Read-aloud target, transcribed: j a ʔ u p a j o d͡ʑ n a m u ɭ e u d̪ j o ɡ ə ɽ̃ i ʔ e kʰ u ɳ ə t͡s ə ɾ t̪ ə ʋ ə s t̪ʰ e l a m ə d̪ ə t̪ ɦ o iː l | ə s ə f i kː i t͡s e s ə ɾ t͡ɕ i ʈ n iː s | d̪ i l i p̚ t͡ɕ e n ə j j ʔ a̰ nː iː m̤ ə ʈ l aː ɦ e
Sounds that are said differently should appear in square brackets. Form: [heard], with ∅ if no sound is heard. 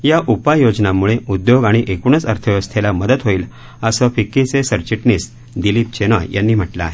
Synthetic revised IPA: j a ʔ u p a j o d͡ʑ n a m u ɭ e u d̪ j o ɡ [a] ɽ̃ i ʔ e [k] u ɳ ə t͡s ə ɾ [t̪ʰ] ə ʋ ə s t̪ʰ e l a m ə d̪ ə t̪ ɦ o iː l | ə s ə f i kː i t͡s e s ə ɾ t͡ɕ i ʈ n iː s | d̪ i l i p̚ t͡ɕ e n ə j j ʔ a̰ nː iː m̤ ə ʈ l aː ɦ e